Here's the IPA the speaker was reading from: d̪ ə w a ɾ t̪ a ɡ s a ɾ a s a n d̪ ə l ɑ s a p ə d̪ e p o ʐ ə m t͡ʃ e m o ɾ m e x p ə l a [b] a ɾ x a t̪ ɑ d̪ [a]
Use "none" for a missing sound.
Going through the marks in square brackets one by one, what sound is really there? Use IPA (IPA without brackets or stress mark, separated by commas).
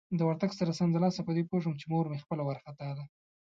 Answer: w, a